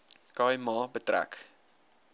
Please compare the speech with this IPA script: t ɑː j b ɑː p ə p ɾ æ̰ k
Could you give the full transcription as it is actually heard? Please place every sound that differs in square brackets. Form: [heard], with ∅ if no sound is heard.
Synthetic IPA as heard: [k] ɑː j [m] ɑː [b] ə [t] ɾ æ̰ k